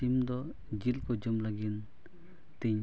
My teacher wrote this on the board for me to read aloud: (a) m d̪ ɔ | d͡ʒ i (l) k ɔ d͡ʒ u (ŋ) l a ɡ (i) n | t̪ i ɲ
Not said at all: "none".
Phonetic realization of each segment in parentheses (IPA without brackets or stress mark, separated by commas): i, l, m, i